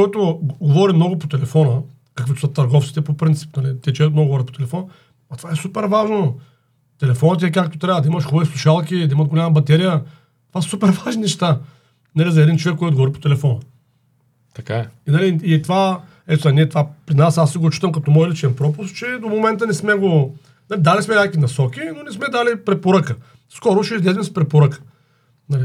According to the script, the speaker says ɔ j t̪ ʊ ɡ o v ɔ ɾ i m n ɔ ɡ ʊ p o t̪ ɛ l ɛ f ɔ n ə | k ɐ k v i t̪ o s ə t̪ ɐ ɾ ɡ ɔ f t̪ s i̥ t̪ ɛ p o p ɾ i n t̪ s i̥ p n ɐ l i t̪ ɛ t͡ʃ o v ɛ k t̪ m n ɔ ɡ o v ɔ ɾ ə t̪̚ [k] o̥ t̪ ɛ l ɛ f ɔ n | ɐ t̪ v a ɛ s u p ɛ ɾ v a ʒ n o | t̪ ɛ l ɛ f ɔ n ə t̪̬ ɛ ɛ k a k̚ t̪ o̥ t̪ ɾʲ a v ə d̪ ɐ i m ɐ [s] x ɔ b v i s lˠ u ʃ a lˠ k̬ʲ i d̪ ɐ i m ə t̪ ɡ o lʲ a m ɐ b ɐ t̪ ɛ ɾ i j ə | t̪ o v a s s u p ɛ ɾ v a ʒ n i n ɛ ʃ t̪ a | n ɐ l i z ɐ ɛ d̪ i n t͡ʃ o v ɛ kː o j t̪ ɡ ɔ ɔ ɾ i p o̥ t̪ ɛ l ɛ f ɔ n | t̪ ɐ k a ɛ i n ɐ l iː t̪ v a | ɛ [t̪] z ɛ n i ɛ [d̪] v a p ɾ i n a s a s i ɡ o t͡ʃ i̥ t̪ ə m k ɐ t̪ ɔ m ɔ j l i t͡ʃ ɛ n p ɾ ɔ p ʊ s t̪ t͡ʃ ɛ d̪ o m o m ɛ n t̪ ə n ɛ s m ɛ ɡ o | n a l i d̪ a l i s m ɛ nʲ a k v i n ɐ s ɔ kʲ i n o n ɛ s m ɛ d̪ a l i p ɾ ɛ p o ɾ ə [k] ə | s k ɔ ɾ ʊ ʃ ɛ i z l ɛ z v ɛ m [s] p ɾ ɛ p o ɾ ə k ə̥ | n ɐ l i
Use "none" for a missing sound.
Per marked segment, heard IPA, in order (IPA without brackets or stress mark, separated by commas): p, ʃ, t̪, t̪, k, s